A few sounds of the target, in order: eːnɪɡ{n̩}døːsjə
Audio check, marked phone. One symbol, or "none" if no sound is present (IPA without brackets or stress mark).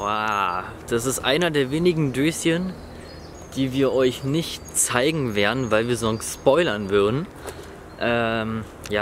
ŋ̩